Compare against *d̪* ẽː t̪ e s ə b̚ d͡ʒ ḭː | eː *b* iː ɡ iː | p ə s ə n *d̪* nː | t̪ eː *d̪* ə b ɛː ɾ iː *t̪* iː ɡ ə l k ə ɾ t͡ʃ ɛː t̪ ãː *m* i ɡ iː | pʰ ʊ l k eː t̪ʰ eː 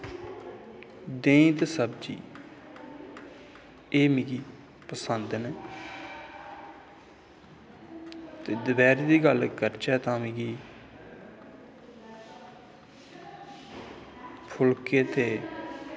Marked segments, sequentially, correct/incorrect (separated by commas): correct, incorrect, correct, correct, incorrect, correct